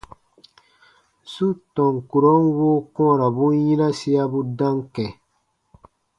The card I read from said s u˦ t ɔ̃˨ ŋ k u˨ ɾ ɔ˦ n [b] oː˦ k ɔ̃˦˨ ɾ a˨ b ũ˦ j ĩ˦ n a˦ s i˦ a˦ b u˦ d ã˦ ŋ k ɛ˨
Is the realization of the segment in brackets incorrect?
yes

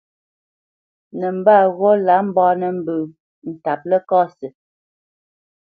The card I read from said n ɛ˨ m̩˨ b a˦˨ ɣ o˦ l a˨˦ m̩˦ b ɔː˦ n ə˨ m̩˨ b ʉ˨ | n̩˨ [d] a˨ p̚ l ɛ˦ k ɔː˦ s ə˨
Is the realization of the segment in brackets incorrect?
yes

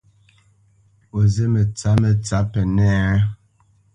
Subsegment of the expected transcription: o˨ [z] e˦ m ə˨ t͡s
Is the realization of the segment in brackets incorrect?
no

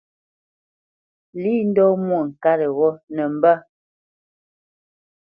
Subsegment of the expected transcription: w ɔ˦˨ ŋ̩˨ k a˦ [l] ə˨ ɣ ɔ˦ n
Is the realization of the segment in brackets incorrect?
yes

